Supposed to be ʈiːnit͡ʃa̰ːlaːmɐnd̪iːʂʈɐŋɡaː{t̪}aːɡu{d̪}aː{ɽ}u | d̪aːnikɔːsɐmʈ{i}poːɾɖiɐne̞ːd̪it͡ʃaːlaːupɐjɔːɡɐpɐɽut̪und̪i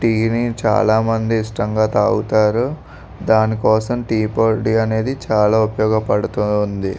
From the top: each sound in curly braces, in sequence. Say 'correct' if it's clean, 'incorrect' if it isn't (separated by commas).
correct, incorrect, incorrect, incorrect